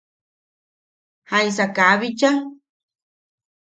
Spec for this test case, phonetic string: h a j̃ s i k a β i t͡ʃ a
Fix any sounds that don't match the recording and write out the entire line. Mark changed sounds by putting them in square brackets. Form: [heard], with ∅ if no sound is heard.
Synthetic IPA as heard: h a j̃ s [a] k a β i t͡ʃ a